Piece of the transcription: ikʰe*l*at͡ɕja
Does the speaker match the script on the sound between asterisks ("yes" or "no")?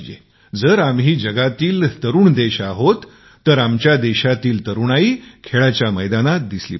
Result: no